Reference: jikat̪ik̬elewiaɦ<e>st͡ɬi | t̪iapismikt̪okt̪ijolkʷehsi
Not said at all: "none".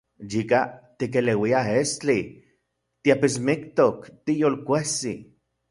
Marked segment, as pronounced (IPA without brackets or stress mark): e